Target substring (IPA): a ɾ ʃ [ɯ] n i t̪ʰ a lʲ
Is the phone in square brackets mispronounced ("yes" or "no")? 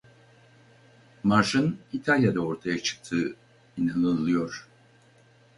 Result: no